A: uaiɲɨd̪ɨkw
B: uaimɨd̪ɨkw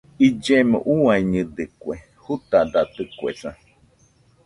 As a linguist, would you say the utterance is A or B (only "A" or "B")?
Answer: A